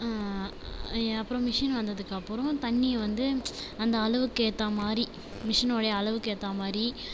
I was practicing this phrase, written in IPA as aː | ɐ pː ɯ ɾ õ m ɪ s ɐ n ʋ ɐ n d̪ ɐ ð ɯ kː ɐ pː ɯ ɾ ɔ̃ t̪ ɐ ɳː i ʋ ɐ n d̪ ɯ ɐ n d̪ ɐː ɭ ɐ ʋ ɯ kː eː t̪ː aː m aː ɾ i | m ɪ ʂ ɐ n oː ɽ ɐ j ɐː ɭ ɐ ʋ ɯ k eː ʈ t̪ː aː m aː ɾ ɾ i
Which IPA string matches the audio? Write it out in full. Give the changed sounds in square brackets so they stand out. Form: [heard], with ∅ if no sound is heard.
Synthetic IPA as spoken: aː | ɐ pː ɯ ɾ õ m ɪ [ʂ] ɐ n ʋ ɐ n d̪ ɐ ð ɯ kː ɐ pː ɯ ɾ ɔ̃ t̪ ɐ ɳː i ʋ ɐ n d̪ ɯ ɐ n d̪ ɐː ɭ ɐ ʋ ɯ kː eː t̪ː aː m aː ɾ i | m ɪ ʂ ɐ n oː ɽ ɐ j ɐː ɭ ɐ ʋ ɯ k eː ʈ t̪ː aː m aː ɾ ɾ i

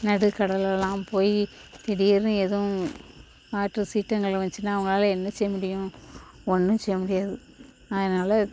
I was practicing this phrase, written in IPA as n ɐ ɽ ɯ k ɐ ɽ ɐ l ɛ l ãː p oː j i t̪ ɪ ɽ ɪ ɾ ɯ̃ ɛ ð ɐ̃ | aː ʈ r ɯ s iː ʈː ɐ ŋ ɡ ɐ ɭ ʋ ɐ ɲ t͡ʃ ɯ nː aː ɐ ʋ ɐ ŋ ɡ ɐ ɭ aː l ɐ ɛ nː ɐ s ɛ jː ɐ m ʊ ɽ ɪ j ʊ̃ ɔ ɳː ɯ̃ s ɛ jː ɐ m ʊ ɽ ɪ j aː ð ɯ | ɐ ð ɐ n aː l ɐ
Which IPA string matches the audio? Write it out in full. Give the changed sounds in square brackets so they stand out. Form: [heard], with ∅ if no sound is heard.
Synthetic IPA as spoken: n ɐ ɽ ɯ k ɐ ɽ ɐ l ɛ l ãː p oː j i t̪ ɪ ɽ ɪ ɾ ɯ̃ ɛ ð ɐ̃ | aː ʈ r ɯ s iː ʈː ɐ ŋ ɡ ɐ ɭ ʋ ɐ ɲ t͡ʃ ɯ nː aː ɐ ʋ ɐ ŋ ɡ ɐ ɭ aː l ɐ ɛ nː ɐ s ɛ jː ɐ m ʊ ɽ ɪ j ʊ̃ ɔ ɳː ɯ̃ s ɛ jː ɐ m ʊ ɽ ɪ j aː ð ɯ | ɐ ð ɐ n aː l ɐ

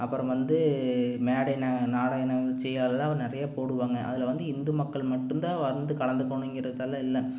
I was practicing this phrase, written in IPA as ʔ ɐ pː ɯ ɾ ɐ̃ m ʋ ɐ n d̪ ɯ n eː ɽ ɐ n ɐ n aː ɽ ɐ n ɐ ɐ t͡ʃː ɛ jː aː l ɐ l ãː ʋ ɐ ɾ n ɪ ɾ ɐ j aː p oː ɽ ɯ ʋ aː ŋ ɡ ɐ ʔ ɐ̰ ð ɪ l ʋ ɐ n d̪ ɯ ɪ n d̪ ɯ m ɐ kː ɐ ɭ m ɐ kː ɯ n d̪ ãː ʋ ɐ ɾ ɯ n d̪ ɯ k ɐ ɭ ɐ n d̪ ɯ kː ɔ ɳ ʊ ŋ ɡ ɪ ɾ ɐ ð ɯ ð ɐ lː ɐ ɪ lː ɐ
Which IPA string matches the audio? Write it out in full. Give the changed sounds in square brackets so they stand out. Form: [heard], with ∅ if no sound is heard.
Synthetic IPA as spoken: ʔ ɐ pː ɯ ɾ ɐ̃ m ʋ ɐ n d̪ ɯ [m] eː ɽ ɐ n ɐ n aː ɽ ɐ n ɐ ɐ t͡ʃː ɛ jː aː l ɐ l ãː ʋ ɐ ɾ n ɪ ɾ ɐ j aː p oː ɽ ɯ ʋ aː ŋ ɡ ɐ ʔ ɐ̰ ð ɪ l ʋ ɐ n d̪ ɯ ɪ n d̪ ɯ m ɐ kː ɐ ɭ m ɐ [ʈː] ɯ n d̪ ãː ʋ ɐ ɾ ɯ n d̪ ɯ k ɐ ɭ ɐ n d̪ ɯ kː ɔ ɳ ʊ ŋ ɡ ɪ ɾ ɐ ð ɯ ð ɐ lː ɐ ɪ lː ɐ

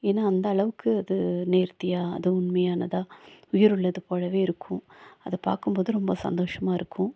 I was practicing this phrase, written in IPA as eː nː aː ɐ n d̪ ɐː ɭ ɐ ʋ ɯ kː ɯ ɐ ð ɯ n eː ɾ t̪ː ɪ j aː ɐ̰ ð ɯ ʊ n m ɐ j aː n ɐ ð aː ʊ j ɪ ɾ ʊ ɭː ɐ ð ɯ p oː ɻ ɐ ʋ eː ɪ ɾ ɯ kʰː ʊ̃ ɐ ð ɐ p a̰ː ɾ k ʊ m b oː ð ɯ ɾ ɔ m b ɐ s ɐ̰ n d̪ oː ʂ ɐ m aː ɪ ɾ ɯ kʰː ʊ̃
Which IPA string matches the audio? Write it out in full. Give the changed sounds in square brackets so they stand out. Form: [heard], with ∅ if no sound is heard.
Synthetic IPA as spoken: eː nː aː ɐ n d̪ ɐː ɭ ɐ ʋ ɯ kː ɯ ɐ ð ɯ n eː ɾ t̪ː ɪ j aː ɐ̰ ð ɯ ʊ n m ɐ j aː n ɐ ð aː ʊ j ɪ ɾ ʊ ɭː ɐ ð ɯ p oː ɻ ɐ ʋ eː ɪ ɾ ɯ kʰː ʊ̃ ɐ ð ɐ p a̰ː ɾ k [ɯ] m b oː ð ɯ ɾ ɔ m b ɐ s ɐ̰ n d̪ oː ʂ ɐ m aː ɪ ɾ ɯ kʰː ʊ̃

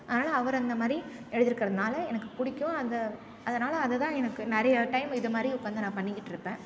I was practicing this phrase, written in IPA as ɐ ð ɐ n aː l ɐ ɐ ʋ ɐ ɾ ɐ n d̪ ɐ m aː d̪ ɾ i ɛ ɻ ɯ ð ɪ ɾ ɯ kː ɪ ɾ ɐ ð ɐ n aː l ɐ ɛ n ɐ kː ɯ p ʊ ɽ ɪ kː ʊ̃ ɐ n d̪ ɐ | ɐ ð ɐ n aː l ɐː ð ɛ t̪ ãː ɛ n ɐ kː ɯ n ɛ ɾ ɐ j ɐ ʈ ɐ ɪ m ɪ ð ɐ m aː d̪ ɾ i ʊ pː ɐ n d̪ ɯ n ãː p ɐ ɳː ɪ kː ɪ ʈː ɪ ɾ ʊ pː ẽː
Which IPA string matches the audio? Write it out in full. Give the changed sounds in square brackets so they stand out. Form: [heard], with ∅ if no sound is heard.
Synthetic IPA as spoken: ɐ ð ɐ n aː l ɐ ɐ ʋ ɐ ɾ ɐ n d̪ ɐ m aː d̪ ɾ i ɛ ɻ ɯ ð ɪ ɾ ɯ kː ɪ ɾ ɐ ð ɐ n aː l ɐ ɛ n ɐ kː ɯ p ʊ ɽ ɪ kː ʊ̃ ɐ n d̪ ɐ | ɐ ð ɐ n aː l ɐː ð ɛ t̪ ãː ɛ n ɐ kː ɯ n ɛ ɾ ɐ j ɐ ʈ ɐ ɪ m ɪ ð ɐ m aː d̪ ɾ i ʊ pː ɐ n d̪ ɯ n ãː p ɐ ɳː ɪ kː ɪ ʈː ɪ ɾ [ɯ] pː ẽː

